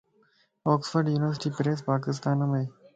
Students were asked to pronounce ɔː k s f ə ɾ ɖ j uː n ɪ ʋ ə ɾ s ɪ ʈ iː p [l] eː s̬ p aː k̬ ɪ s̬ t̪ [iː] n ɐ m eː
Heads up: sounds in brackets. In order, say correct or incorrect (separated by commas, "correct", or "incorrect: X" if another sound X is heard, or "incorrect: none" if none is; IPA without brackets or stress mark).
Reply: incorrect: ɾ, incorrect: aː